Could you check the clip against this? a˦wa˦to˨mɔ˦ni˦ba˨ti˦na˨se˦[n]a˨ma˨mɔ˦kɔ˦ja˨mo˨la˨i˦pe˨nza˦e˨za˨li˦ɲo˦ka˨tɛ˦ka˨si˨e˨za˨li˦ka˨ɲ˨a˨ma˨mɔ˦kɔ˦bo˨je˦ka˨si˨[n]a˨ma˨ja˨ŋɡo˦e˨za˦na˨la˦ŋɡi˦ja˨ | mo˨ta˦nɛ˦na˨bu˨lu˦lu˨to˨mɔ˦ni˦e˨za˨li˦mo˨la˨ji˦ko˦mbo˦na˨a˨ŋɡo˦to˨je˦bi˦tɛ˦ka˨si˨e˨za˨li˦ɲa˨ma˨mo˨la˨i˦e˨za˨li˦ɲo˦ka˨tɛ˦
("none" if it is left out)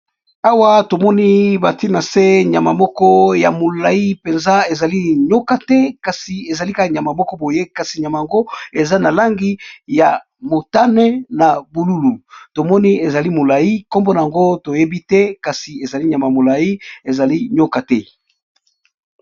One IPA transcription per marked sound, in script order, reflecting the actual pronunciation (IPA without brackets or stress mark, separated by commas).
ɲ, ɲ